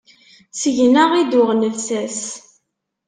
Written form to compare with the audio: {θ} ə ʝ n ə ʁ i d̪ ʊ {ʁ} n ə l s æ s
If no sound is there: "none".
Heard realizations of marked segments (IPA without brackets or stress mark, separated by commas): s, ʁ